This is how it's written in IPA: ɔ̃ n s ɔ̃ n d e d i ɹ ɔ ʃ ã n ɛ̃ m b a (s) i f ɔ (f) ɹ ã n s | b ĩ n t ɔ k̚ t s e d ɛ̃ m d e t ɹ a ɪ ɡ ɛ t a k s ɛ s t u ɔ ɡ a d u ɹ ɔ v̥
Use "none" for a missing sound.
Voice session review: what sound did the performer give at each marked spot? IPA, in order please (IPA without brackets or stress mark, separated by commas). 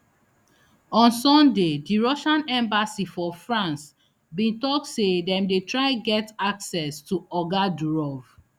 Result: s, f